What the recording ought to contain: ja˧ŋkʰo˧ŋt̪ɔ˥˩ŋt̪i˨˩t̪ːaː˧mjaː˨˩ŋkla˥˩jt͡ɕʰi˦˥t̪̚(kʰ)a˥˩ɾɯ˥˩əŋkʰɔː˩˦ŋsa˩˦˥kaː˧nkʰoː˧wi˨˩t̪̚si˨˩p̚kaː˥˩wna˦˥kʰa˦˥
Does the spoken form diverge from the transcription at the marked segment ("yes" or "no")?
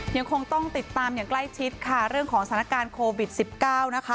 no